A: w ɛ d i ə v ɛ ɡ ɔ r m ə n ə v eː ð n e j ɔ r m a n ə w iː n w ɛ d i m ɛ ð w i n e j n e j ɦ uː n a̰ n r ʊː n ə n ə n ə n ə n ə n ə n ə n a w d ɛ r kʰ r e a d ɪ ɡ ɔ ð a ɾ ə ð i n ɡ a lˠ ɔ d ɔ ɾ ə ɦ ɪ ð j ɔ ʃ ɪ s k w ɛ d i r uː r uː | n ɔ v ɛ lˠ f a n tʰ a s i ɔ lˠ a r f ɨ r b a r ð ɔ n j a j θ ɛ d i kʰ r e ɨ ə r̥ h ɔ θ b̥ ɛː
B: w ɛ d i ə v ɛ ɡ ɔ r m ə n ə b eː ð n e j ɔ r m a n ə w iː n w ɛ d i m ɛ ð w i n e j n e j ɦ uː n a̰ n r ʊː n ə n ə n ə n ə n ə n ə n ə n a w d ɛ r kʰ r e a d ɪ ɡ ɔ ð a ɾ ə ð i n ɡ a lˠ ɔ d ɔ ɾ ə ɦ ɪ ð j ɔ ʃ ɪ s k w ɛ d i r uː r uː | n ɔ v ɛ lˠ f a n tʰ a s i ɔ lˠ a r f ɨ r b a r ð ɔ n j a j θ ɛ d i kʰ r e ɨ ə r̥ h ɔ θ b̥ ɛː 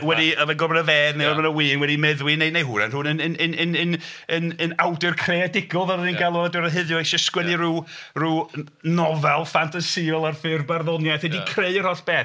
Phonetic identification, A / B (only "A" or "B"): A